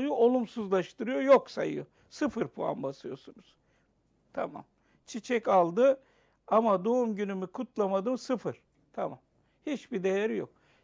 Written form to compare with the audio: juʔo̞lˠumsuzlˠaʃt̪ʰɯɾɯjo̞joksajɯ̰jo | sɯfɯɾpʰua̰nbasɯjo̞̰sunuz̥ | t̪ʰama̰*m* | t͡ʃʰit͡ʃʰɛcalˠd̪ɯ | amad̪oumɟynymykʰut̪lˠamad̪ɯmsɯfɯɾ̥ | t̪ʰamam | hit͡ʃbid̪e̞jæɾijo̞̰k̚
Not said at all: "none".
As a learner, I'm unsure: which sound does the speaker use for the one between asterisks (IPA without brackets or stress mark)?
m